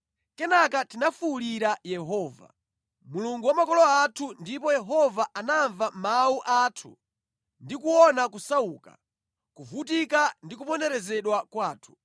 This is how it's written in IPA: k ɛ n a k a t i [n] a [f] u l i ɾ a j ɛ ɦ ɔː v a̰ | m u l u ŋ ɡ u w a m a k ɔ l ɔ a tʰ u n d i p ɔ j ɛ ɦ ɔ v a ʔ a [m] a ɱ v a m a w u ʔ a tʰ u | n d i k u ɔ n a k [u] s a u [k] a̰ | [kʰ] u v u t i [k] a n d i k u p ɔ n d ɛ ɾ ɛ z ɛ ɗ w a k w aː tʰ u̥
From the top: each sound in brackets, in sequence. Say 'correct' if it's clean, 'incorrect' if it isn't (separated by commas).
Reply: correct, correct, incorrect, correct, correct, incorrect, correct